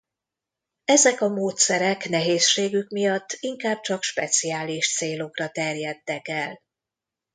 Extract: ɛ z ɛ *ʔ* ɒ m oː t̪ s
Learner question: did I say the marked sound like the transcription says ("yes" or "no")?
no